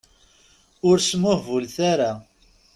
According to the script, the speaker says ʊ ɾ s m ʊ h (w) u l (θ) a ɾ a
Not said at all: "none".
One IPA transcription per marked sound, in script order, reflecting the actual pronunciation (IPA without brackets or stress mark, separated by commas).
v, θ